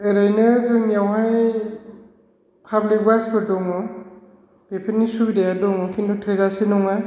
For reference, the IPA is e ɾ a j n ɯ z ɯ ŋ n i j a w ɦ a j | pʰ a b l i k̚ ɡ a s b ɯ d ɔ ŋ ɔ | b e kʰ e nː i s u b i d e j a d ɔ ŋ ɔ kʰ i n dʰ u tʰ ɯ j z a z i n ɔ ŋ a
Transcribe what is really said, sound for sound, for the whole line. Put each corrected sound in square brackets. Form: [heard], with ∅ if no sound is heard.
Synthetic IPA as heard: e ɾ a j n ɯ z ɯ ŋ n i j a w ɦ a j | pʰ a b l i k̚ [b] a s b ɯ d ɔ ŋ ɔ | b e [pʰ] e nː i s u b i d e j a d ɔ ŋ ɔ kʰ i n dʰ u tʰ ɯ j z a [s] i n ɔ ŋ a

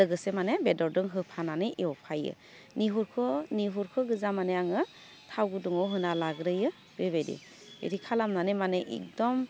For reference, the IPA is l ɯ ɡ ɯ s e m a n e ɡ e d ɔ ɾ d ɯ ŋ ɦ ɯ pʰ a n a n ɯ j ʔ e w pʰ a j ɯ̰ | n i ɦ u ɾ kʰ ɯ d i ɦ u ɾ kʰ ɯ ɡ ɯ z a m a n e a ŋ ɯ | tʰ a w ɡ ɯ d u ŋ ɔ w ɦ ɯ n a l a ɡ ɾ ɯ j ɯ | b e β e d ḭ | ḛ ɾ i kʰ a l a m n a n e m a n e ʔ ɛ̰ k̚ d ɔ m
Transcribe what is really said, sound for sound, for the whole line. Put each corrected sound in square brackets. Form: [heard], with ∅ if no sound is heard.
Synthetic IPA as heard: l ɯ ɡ ɯ s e m a n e [b] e d ɔ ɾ d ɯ ŋ ɦ ɯ pʰ a n a n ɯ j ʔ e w pʰ a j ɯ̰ | n i ɦ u ɾ kʰ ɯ [n] i ɦ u ɾ kʰ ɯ ɡ ɯ z a m a n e a ŋ ɯ | tʰ a w ɡ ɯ d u ŋ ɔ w ɦ ɯ n a l a ɡ ɾ ɯ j ɯ | b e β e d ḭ | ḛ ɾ i kʰ a l a m n a n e m a n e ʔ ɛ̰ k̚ d ɔ m

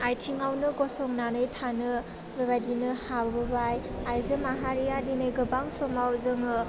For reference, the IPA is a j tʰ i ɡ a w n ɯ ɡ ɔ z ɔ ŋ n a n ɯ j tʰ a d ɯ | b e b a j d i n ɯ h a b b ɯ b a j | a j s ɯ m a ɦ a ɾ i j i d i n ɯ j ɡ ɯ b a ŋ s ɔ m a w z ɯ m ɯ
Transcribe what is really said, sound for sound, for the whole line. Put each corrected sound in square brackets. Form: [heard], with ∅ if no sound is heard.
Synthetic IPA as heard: a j tʰ i [ŋ] a w n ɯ ɡ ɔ [s] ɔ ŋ n a n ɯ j tʰ a [n] ɯ | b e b a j d i n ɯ h a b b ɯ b a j | a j [z] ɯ m a ɦ a ɾ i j [a] d i n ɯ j ɡ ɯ b a ŋ s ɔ m a w z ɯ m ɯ

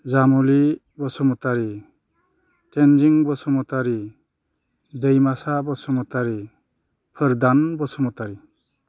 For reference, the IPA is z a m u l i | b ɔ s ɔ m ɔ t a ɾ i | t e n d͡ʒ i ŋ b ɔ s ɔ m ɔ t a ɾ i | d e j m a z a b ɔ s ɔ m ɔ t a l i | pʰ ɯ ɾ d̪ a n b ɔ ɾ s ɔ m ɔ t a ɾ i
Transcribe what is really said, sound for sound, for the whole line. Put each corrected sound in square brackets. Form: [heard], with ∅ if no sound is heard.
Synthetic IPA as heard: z a m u l i | b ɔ s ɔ m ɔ t a ɾ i | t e n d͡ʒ i ŋ b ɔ s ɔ m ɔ t a ɾ i | d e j m a [s] a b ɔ s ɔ m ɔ t a [ɾ] i | pʰ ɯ ɾ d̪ a n b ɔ [∅] s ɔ m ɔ t a ɾ i

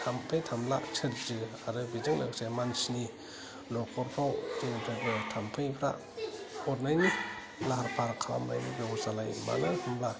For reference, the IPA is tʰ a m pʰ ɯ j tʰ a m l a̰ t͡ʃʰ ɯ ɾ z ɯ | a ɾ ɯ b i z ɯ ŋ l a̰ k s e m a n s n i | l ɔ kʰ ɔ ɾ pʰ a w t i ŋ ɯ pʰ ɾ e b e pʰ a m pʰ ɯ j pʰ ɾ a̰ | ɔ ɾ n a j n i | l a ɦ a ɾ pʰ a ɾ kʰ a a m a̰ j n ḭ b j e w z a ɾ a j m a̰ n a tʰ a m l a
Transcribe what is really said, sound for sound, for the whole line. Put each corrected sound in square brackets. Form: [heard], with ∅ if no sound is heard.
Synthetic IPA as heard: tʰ a m pʰ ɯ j tʰ a m l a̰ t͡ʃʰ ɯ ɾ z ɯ | a ɾ ɯ b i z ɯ ŋ l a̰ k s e m a n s n i | l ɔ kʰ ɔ ɾ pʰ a w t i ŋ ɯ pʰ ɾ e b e [tʰ] a m pʰ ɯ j pʰ ɾ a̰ | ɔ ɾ n a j n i | l a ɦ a ɾ pʰ a ɾ kʰ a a m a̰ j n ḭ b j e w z a [l] a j m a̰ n a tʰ a m l a

